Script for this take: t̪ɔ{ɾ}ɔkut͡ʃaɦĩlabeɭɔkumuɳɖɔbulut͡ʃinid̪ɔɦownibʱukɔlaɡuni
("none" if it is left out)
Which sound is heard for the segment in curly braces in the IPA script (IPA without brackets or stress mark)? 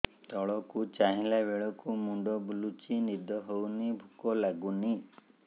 ɭ